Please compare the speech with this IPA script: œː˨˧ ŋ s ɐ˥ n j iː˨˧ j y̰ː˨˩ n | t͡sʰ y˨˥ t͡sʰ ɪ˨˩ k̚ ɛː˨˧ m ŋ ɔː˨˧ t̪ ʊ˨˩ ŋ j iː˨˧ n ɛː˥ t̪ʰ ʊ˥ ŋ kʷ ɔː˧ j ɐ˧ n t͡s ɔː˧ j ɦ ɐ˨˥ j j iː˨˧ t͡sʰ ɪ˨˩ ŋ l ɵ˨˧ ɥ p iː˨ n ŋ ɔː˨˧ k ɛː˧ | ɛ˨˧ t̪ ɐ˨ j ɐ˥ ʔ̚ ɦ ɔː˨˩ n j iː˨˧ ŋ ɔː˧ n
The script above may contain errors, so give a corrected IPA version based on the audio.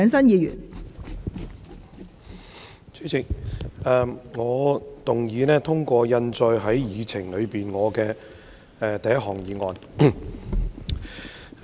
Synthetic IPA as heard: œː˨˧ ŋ s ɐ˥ n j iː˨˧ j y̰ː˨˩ n | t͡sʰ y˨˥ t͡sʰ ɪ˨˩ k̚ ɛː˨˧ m ŋ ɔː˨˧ t̪ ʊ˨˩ ŋ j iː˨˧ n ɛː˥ t̪ʰ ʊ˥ ŋ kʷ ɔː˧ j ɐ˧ n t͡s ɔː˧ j ɦ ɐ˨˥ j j iː˨˧ t͡sʰ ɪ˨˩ ŋ l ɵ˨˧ ɥ p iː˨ n ŋ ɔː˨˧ k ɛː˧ | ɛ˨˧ t̪ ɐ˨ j ɐ˥ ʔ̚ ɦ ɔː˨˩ ŋ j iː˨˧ ŋ ɔː˧ n